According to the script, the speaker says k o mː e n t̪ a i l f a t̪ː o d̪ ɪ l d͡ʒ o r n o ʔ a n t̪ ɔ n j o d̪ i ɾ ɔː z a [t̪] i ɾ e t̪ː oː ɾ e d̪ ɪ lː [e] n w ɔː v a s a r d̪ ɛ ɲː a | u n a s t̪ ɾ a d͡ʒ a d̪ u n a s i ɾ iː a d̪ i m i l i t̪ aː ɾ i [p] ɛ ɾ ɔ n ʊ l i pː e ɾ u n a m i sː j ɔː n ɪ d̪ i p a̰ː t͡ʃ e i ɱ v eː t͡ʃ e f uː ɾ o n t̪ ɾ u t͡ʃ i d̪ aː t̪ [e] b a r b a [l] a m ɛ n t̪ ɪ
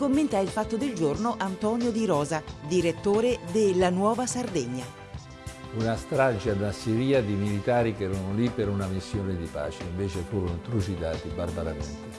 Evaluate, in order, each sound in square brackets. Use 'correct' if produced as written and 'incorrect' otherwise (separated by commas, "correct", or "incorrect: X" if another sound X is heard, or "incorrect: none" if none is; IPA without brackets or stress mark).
incorrect: d̪, incorrect: a, incorrect: k, incorrect: i, incorrect: ɾ